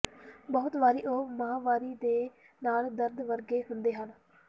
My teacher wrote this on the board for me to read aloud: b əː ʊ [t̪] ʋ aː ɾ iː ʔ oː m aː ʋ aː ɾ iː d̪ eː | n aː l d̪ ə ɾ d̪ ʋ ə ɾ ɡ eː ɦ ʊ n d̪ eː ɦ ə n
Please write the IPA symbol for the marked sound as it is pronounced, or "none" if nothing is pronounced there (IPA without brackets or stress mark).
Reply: t̪